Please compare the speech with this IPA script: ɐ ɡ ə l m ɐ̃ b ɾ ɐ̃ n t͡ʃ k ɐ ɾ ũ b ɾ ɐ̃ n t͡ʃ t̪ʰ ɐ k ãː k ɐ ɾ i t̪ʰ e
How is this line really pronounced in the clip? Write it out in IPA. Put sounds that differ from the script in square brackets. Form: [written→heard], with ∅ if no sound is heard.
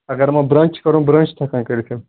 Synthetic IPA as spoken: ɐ ɡ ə [l→ɾ] m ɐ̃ b ɾ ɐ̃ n t͡ʃ k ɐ ɾ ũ b ɾ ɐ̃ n t͡ʃ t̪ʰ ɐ k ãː k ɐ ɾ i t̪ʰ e